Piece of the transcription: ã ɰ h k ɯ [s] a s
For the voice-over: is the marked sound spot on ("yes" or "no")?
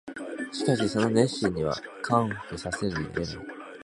yes